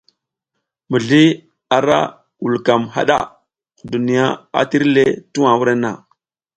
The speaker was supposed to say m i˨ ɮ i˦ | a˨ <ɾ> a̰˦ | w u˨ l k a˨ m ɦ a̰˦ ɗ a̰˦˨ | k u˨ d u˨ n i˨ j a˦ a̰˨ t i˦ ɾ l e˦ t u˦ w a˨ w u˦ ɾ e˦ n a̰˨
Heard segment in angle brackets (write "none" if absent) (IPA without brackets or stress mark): ɾ